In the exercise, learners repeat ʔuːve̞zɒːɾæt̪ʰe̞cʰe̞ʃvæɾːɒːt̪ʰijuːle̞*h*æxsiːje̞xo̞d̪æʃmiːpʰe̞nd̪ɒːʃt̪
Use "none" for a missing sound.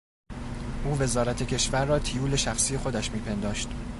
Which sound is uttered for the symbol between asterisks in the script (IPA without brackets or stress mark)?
ʃ